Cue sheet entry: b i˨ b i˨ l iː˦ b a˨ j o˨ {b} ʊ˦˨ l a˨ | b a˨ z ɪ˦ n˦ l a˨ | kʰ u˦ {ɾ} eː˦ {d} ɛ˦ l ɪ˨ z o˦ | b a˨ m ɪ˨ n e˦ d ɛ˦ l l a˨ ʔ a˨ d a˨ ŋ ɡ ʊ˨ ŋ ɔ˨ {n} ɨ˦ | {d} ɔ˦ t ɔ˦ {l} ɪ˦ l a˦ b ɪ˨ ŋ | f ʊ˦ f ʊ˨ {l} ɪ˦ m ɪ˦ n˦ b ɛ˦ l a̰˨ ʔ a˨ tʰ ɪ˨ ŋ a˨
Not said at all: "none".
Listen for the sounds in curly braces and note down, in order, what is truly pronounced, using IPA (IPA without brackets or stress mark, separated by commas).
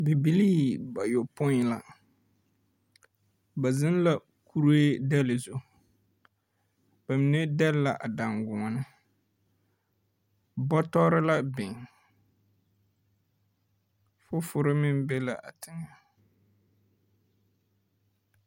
p, ɾ, d, n, b, ɾ, ɾ